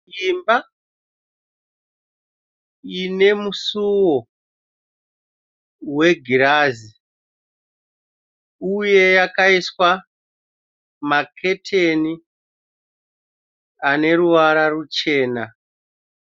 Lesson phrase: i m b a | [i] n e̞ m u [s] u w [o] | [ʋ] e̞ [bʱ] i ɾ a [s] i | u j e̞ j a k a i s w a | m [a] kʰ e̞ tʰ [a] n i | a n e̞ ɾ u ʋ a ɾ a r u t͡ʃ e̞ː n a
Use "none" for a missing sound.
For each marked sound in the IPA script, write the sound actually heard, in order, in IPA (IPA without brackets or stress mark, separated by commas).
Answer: i, s, o, w, ɡʱ, z, a, e